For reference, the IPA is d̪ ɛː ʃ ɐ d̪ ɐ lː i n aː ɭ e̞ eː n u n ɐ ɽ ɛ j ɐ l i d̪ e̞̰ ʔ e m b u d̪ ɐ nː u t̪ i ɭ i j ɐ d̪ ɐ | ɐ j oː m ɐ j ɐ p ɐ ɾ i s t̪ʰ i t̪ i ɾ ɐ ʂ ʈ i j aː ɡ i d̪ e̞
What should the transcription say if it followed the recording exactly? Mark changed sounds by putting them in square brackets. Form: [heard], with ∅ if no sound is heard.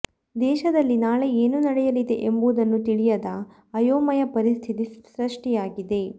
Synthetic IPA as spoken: d̪ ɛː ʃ ɐ d̪ ɐ lː i n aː ɭ e̞ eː n u n ɐ ɽ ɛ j ɐ l i d̪ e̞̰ ʔ e m b u d̪ ɐ nː u t̪ i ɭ i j ɐ d̪ ɐ | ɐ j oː m ɐ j ɐ p ɐ ɾ i s t̪ʰ i t̪ i ɾ ɐ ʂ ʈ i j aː ɡ i d̪ e̞